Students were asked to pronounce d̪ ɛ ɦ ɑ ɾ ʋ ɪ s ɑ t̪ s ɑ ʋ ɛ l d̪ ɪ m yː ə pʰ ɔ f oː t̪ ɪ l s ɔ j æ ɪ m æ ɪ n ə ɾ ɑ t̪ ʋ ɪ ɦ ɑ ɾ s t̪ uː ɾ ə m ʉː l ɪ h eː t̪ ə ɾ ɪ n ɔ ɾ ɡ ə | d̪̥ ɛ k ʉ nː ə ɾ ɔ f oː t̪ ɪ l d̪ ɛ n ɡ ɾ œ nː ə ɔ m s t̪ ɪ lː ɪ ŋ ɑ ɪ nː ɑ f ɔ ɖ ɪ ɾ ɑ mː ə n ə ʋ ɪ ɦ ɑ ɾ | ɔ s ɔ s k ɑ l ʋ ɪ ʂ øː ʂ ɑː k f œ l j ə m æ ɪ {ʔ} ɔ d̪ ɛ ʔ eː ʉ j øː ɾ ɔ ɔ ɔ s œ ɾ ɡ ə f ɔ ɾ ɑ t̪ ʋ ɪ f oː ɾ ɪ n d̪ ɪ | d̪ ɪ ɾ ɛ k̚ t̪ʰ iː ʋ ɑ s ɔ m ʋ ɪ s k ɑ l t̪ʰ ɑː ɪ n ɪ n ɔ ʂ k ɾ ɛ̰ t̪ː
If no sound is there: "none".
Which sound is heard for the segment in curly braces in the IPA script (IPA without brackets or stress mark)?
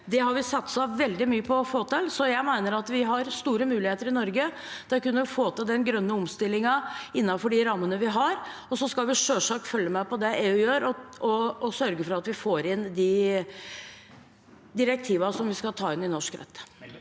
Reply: p